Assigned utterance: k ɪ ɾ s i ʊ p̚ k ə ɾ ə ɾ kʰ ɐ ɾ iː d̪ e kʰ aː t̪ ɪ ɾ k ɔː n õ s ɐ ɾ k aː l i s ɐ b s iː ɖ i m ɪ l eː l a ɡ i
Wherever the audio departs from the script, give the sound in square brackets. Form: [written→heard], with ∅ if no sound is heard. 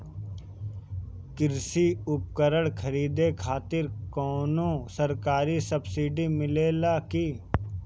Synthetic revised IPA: k ɪ ɾ s i ʊ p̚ k ə ɾ ə [ɾ→ɽ] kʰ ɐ ɾ iː d̪ e kʰ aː t̪ ɪ ɾ k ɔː n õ s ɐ ɾ k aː [l→ɾ] i s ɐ b s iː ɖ i m ɪ l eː l a [ɡ→k] i